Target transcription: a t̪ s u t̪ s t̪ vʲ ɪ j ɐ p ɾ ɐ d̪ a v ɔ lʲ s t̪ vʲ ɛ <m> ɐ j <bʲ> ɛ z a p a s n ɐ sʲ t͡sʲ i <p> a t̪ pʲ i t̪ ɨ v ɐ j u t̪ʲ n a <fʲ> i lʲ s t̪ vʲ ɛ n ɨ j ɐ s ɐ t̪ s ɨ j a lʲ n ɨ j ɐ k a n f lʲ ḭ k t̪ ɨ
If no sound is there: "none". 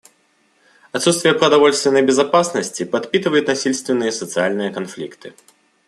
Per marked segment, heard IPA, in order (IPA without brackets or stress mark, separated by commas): n, bʲ, p, sʲ